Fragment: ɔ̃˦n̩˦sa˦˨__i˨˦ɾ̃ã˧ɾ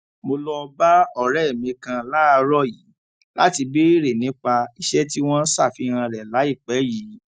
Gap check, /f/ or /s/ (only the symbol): f